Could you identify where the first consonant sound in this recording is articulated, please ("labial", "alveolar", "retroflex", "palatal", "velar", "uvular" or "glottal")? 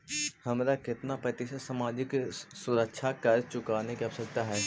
glottal